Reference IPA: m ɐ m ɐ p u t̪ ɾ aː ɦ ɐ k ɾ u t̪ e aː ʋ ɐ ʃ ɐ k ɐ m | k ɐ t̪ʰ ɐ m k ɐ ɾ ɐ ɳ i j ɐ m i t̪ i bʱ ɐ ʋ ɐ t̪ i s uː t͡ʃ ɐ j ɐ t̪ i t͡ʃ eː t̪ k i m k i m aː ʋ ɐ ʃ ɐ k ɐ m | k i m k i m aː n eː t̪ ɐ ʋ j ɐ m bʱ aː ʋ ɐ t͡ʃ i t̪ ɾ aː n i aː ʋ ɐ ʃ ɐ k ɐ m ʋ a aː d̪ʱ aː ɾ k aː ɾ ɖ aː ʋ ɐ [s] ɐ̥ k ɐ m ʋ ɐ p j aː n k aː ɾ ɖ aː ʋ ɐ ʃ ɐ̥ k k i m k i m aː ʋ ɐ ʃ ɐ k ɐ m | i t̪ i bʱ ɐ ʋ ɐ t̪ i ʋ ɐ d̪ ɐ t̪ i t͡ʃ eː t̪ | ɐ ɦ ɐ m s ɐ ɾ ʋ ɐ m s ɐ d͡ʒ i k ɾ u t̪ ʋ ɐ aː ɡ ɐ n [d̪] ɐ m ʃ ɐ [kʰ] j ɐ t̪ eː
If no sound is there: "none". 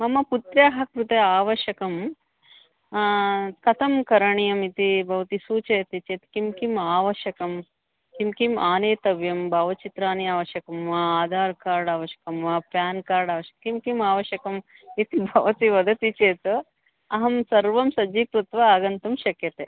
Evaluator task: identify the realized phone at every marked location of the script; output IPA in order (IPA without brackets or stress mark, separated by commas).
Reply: ʃ, t̪, k